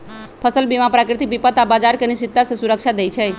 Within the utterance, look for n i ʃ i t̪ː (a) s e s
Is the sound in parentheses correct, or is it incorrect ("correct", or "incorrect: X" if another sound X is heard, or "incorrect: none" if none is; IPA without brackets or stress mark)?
correct